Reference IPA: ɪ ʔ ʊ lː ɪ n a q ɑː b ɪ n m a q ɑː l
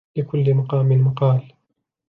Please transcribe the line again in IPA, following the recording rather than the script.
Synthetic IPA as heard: ɪ k ʊ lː ɪ m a q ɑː m ɪ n m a q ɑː l